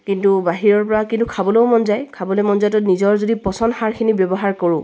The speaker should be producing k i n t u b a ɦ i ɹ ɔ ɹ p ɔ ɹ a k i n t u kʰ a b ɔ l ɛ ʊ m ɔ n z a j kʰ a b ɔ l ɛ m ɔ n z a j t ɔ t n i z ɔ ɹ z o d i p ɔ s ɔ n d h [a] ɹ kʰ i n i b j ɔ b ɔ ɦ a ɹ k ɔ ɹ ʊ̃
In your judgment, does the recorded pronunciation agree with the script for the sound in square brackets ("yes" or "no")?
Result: yes